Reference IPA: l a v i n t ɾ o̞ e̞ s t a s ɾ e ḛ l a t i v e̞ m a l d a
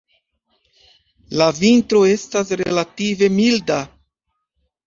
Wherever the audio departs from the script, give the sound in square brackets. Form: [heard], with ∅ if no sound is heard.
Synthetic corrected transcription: l a v i n t ɾ o̞ e̞ s t a s ɾ e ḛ l a t i v e̞ m [i] l d a